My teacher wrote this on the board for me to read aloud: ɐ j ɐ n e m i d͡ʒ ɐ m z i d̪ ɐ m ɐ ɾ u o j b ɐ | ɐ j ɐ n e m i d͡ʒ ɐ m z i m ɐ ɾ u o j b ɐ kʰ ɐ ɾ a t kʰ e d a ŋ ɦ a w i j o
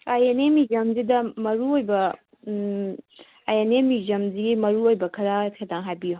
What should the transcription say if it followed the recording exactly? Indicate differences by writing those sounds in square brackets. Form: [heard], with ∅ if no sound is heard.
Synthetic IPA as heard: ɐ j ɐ n e m i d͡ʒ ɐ m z i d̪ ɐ m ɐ ɾ u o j b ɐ | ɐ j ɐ n e m i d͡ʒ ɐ m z i m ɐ ɾ u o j b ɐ kʰ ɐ ɾ a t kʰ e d a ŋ ɦ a [b] i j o